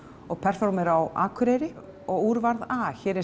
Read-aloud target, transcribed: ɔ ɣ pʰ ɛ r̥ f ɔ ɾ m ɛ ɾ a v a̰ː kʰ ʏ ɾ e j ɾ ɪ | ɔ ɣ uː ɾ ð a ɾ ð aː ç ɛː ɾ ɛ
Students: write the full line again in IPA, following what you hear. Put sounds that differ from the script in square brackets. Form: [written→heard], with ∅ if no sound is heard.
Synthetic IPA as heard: ɔ ɣ pʰ ɛ r̥ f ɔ ɾ m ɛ ɾ a [v→w] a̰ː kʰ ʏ ɾ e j ɾ ɪ | ɔ ɣ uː ɾ [ð→v] a ɾ ð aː ç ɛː ɾ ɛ